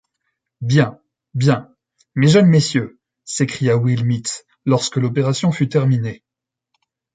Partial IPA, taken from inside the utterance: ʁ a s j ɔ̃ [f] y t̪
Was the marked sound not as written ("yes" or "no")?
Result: no